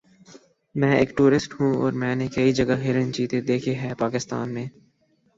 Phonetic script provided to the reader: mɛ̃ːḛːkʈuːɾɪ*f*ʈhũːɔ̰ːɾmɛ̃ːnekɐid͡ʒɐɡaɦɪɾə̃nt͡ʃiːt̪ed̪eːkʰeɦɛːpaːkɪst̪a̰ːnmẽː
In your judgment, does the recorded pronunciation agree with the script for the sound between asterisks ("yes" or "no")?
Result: no